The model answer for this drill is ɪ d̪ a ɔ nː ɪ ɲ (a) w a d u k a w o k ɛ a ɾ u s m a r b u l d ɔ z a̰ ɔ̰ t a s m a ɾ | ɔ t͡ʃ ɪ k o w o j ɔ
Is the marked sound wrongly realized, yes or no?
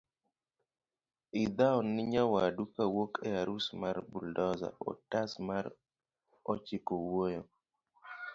no